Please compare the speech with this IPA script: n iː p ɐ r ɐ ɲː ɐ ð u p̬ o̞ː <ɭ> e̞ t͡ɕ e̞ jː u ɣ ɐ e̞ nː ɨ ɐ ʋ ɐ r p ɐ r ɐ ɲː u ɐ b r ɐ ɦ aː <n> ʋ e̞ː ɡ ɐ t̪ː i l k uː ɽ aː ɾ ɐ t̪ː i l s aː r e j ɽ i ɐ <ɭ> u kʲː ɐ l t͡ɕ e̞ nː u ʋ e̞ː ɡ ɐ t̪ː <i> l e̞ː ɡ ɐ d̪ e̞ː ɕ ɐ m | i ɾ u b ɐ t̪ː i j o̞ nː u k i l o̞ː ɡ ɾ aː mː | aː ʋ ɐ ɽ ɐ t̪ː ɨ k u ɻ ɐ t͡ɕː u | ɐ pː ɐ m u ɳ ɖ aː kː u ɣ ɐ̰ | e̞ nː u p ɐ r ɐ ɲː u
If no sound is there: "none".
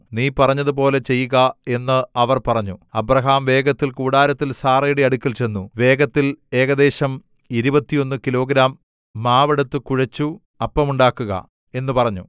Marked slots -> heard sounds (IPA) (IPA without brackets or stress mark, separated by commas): l, m, ɽ, i